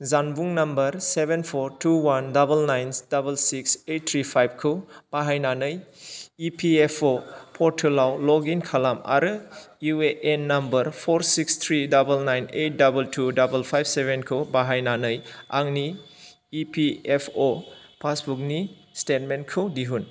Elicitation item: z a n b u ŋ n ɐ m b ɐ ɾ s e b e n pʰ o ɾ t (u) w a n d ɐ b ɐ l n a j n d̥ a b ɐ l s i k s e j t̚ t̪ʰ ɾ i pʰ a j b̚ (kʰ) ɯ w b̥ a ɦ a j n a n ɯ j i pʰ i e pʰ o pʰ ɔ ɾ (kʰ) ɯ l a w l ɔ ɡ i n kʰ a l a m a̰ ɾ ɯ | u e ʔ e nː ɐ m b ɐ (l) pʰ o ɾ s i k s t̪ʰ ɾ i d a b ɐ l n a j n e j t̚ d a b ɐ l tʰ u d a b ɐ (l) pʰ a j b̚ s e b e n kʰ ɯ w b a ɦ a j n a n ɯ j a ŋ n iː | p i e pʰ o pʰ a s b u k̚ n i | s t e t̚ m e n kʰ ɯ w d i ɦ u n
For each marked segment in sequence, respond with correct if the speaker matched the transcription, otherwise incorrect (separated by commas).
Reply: correct, correct, incorrect, incorrect, correct